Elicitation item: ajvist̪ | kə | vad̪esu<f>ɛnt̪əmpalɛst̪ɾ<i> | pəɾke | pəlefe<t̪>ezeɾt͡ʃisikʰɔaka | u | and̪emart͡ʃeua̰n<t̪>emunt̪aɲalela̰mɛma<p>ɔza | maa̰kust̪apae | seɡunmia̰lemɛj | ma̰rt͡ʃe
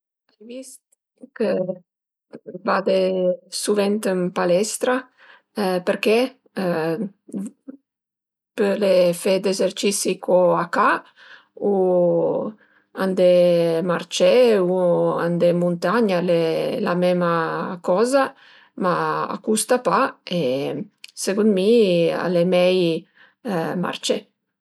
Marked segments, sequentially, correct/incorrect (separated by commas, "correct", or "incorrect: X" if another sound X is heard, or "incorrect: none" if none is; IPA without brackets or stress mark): incorrect: v, incorrect: a, incorrect: d̪, incorrect: d̪, incorrect: k